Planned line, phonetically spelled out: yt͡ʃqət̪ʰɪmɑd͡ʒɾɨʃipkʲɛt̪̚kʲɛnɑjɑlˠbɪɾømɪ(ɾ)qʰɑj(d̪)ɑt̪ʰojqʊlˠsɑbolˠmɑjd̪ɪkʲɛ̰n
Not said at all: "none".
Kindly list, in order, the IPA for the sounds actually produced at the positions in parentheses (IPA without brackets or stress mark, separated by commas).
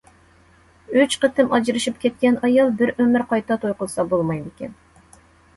ɾ, t̪